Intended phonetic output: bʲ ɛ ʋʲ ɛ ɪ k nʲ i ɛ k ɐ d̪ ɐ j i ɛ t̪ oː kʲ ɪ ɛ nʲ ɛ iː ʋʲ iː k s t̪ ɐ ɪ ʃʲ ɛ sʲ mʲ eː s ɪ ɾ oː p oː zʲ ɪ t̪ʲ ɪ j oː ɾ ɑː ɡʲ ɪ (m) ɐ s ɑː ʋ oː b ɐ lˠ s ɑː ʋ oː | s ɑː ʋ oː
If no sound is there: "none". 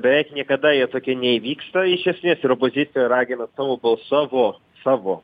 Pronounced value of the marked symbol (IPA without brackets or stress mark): n